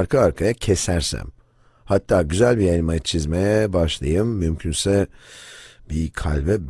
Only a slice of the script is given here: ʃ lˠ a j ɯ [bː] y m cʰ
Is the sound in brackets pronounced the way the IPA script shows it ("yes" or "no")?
no